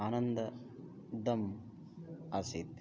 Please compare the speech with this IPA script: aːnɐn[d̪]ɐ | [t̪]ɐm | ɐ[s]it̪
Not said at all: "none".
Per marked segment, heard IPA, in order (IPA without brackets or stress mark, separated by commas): d̪, d̪, s